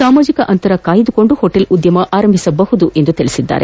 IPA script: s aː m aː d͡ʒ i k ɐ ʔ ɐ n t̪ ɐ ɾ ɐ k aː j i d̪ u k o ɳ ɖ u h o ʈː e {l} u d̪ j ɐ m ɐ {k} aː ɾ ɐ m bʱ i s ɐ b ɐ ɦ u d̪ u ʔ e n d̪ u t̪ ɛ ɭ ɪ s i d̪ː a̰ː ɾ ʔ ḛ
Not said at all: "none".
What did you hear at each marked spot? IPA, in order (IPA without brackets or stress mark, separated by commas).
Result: l, ʔ